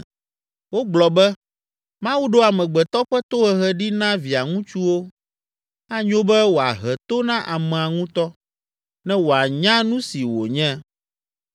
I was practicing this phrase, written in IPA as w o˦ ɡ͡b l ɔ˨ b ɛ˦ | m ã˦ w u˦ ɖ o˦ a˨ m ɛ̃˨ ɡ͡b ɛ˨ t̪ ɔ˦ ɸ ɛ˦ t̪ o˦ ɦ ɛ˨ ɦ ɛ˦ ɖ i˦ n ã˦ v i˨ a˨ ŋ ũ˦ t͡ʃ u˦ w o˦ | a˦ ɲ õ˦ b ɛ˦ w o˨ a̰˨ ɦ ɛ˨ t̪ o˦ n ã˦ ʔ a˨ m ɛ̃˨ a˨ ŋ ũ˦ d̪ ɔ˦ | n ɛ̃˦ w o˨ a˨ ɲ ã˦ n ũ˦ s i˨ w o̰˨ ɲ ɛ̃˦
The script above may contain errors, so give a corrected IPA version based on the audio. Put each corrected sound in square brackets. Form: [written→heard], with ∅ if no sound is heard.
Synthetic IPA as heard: w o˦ ɡ͡b l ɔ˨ b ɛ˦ | m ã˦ w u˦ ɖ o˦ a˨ m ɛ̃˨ ɡ͡b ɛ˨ t̪ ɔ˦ ɸ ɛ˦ t̪ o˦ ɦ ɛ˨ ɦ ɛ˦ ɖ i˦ n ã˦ v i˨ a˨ ŋ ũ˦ t͡ʃ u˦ w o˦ | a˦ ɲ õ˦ b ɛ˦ w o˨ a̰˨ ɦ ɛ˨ t̪ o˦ n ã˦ ʔ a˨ m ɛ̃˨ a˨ ŋ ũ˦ [d̪→t̪] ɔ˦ | n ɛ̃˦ w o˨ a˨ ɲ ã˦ n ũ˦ s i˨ w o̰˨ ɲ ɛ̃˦

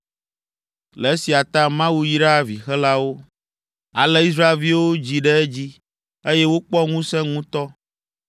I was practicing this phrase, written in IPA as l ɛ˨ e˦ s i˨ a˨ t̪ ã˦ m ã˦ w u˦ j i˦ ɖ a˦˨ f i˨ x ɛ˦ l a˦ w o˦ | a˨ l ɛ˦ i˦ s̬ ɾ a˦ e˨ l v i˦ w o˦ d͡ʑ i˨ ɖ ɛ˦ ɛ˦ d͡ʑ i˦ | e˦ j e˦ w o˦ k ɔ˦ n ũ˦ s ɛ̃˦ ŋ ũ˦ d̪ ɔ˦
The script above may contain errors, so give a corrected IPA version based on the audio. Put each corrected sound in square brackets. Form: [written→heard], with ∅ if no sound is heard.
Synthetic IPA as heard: l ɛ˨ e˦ s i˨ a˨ t̪ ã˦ m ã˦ w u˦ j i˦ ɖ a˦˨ [f→v] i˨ x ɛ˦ l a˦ w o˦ | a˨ l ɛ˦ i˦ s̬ ɾ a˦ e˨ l v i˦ w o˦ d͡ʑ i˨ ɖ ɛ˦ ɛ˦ d͡ʑ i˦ | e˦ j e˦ w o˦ [k→k͡p] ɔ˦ [n→ŋ] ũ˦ s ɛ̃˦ ŋ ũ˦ [d̪→t̪] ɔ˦

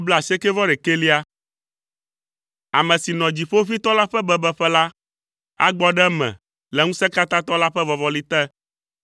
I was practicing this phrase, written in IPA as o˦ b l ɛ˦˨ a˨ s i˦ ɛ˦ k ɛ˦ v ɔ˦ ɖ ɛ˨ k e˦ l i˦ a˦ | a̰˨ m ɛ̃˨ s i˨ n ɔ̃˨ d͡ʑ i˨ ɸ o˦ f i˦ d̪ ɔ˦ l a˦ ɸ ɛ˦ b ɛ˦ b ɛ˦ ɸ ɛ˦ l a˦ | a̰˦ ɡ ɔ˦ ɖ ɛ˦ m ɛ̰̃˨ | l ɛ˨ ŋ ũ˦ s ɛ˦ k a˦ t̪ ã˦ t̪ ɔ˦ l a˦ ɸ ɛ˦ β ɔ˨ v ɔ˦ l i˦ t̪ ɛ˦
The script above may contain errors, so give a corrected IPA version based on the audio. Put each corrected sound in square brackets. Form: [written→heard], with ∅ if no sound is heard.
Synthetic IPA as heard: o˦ b l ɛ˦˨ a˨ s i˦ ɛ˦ k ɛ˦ v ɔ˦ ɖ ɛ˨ k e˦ l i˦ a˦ | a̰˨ m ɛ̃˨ s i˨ n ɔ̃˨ d͡ʑ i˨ ɸ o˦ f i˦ [d̪→t̪] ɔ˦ l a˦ ɸ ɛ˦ b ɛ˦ b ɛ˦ ɸ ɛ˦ l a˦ | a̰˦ [ɡ→ɡ͡b] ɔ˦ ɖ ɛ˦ m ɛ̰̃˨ | l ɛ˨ ŋ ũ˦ s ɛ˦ k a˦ t̪ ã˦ t̪ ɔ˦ l a˦ ɸ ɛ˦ [β→v] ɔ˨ v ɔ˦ l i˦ t̪ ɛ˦

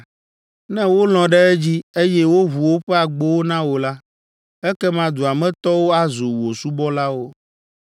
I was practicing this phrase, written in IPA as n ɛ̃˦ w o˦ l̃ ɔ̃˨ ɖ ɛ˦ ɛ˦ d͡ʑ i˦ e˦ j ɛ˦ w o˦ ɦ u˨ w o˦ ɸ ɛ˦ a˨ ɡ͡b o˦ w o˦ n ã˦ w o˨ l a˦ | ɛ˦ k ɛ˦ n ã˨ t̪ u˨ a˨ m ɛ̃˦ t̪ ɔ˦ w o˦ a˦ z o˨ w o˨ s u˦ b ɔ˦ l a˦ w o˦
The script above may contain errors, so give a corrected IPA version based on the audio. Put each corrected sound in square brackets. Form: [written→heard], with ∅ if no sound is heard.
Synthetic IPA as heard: n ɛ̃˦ w o˦ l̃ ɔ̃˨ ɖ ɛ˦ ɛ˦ d͡ʑ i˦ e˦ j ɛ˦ w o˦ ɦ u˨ w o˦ ɸ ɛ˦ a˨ ɡ͡b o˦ w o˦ n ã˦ w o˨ l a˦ | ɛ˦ k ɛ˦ [n→m] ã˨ [t̪→d̪] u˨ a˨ m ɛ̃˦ t̪ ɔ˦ w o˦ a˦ z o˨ w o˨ s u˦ b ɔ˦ l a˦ w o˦

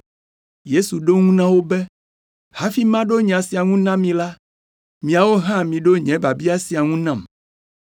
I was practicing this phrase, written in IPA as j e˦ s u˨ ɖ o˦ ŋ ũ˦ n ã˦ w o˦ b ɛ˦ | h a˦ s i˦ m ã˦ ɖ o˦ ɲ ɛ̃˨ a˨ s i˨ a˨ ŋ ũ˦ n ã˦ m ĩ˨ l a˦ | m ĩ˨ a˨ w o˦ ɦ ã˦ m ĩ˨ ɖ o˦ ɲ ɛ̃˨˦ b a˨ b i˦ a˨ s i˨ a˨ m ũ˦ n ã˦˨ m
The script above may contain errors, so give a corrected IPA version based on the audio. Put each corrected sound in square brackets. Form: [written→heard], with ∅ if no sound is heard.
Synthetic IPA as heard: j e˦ s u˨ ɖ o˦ ŋ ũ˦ n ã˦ w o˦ b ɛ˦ | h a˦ [s→f] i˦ m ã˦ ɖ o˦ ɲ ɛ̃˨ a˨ s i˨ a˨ ŋ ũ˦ n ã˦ m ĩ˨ l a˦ | m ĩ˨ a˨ w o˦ ɦ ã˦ m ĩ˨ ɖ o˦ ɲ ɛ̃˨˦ b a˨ b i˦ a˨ s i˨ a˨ [m→ŋ] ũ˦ n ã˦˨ m

